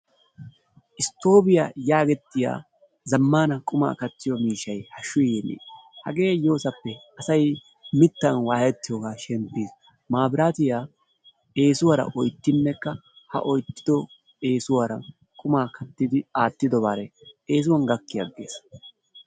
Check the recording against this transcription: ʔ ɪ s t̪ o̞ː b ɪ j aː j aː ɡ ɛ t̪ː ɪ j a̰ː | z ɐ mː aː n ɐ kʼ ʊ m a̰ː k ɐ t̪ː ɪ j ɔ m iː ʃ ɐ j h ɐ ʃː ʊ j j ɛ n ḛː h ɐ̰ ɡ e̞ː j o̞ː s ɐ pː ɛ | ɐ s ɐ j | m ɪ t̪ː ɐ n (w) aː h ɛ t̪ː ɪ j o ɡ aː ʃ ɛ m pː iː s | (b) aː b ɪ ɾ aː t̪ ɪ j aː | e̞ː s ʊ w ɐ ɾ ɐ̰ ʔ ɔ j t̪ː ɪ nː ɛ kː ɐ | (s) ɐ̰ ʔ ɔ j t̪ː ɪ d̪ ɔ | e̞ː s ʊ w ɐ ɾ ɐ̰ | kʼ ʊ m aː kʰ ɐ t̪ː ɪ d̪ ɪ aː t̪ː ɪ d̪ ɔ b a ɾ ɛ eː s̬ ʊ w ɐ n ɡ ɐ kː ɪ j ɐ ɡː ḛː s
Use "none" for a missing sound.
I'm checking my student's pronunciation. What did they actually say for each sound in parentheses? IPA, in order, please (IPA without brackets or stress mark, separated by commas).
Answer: w, m, h